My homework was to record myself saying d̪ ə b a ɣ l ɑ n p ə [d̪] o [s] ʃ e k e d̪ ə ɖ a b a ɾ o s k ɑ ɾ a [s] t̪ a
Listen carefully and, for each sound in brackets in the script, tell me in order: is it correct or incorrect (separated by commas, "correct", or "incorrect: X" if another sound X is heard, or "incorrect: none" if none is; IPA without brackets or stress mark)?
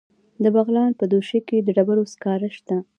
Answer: correct, incorrect: none, incorrect: ʃ